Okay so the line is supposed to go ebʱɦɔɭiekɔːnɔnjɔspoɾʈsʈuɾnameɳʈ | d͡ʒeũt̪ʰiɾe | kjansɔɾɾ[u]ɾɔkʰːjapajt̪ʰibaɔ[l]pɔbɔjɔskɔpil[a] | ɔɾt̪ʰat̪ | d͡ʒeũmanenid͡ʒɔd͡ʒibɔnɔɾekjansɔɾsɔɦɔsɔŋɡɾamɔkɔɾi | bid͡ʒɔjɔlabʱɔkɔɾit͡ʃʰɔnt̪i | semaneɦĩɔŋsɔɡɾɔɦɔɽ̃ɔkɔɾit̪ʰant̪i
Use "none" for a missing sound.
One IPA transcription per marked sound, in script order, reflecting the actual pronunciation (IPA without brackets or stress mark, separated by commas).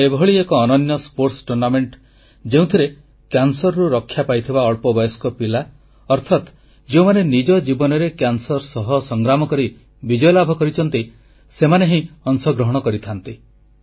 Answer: u, ɭ, a